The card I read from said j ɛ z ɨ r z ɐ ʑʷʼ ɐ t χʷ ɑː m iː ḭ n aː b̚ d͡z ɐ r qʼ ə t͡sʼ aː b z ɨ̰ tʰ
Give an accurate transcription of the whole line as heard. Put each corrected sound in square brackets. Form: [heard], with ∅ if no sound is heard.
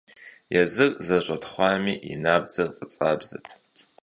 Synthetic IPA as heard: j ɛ z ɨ r z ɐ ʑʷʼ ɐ t χʷ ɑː m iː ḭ n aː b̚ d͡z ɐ r qʼ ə t͡sʼ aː b z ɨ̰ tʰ

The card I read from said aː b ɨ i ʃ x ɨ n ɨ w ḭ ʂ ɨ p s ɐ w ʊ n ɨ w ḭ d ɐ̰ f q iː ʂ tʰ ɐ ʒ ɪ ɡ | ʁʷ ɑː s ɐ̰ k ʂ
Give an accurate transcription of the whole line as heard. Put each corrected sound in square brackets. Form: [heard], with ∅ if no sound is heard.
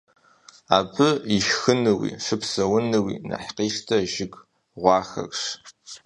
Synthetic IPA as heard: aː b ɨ i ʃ x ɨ n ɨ w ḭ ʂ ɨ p s ɐ w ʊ n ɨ w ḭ [n] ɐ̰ [ħ] q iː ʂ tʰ ɐ ʒ ɪ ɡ | ʁʷ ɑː [x] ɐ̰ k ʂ

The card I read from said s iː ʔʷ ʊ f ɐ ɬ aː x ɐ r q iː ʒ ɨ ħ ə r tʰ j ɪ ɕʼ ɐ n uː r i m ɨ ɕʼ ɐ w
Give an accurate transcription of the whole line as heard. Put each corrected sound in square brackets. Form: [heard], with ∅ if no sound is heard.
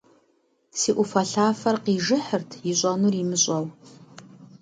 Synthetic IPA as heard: s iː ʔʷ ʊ f ɐ ɬ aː [f] ɐ r q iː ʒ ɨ ħ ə r tʰ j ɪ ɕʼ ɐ n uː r i m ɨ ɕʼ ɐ w

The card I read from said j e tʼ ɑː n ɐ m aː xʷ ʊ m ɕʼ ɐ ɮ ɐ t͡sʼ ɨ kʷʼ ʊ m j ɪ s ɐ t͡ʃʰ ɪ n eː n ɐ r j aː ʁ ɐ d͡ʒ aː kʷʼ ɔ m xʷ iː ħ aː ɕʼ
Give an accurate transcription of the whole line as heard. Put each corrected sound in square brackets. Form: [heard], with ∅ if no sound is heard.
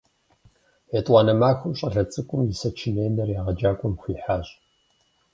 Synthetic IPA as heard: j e tʼ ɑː n ɐ m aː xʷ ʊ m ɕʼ ɐ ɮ ɐ t͡sʼ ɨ kʷʼ ʊ m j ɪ s ɐ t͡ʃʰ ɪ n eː n ɐ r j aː ʁ ɐ d͡ʒ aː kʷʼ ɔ m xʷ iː ħ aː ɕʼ

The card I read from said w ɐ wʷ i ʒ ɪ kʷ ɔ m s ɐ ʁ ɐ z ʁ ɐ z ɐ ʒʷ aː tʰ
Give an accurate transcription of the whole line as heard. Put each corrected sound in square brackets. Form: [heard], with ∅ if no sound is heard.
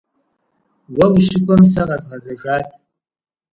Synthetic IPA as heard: w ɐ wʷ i [ʃ] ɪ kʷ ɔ m s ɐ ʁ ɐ z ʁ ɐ z ɐ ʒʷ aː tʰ

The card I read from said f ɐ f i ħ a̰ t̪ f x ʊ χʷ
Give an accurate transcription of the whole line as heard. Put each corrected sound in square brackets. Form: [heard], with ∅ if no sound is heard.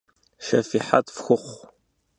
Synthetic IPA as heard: [ʃ] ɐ f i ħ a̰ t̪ f x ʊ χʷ

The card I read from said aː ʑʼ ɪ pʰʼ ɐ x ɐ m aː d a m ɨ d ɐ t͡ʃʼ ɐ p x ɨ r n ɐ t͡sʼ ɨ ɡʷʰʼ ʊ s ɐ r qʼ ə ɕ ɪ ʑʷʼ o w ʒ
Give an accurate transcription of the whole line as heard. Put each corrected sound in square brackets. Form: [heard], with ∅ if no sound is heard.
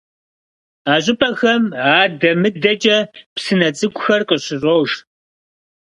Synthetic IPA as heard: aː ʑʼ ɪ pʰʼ ɐ x ɐ m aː d [ɐ] m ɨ d ɐ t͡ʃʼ ɐ p [s] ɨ [∅] n ɐ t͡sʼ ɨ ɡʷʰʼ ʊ [x] ɐ r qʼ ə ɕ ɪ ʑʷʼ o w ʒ

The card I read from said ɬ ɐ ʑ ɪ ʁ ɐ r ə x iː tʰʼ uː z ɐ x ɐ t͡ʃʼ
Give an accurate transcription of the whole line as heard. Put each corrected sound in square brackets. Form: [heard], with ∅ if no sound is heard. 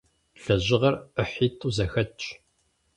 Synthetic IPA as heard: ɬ ɐ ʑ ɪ ʁ ɐ r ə [ħ] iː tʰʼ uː z ɐ x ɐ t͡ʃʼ

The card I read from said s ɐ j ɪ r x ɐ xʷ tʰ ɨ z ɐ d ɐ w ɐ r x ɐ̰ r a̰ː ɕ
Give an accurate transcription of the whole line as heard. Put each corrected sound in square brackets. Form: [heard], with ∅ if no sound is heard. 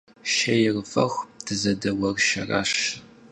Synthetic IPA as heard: [ʃ] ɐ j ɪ r [f] ɐ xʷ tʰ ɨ z ɐ d ɐ w ɐ r [ʃ] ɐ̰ r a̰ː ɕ

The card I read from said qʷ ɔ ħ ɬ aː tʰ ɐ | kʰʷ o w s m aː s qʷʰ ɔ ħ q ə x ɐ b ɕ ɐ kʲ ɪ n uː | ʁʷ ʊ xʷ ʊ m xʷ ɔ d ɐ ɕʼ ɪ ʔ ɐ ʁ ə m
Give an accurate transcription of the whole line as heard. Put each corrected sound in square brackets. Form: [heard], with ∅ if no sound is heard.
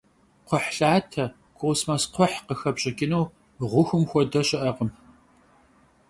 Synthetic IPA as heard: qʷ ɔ ħ ɬ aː tʰ ɐ | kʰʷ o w s m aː s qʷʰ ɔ ħ q ə x ɐ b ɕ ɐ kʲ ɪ n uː | ʁʷ ʊ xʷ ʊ m xʷ ɔ d ɐ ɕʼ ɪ ʔ ɐ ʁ ə m

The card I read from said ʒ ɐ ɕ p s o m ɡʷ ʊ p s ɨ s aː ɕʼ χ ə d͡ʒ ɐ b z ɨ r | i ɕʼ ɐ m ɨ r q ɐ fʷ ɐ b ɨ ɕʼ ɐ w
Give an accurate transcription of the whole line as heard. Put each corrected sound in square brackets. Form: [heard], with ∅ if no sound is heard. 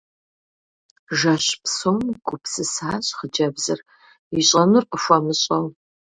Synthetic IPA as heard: ʒ ɐ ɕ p s o m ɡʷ ʊ p s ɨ s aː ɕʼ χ ə d͡ʒ ɐ b z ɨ r | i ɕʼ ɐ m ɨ r q [ə] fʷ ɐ [m] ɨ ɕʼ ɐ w

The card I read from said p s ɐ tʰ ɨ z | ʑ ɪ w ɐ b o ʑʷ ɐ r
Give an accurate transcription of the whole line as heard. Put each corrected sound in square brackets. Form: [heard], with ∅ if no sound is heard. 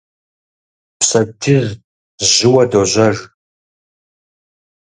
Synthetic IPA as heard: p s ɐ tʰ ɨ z | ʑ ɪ w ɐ [d] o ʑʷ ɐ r

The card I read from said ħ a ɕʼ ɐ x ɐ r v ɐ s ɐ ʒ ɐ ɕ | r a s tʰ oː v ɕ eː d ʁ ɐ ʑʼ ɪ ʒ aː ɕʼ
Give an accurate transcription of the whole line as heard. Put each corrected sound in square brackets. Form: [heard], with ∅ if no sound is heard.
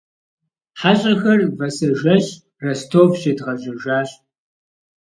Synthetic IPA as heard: ħ a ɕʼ ɐ x ɐ r v ɐ s ɐ ʒ ɐ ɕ | r [ɐ] s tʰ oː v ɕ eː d ʁ ɐ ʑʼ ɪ ʒ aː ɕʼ

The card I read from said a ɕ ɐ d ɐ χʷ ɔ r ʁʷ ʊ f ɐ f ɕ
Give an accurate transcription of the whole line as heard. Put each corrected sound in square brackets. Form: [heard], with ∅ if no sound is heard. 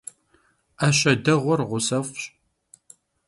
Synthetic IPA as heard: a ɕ ɐ d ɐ [ʁʷ] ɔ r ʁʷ ʊ [s] ɐ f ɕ

